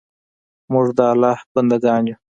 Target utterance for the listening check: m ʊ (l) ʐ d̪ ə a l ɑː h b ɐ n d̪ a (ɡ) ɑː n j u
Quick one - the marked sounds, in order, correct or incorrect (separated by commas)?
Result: incorrect, correct